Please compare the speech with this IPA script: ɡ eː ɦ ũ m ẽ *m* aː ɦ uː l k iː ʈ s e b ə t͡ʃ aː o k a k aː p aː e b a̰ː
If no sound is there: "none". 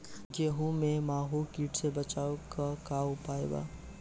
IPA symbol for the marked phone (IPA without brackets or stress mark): m